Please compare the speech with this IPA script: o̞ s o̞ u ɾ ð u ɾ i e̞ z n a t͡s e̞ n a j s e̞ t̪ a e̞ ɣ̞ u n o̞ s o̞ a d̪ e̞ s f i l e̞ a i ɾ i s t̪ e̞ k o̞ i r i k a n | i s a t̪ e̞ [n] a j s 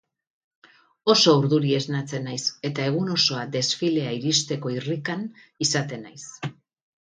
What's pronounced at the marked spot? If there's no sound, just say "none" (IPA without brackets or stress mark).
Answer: n